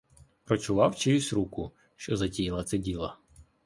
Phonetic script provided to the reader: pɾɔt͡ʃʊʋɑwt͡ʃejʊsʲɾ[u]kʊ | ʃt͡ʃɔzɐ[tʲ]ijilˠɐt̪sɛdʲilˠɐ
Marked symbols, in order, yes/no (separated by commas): yes, yes